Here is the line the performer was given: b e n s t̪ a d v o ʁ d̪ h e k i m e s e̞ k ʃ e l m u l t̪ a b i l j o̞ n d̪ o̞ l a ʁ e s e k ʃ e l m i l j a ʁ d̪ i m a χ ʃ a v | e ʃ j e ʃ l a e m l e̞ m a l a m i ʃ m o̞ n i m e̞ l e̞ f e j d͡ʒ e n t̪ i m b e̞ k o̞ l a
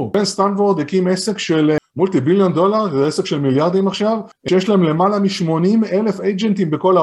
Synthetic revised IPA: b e n s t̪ a n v o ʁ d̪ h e k i m e s e̞ k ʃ e l m u l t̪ i b i l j o̞ n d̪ o̞ l a ʁ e s e k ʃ e l m i l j a ʁ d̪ i m a χ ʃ a v | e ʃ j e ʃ l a e m l e̞ m a l a m i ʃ m o̞ n i m e̞ l e̞ f e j d͡ʒ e n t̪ i m b e̞ k o̞ l a